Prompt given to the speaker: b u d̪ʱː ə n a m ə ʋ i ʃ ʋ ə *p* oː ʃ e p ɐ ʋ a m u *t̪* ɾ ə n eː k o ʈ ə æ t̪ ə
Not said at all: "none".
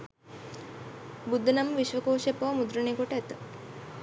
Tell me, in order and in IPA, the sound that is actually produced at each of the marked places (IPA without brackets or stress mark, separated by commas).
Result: k, d̪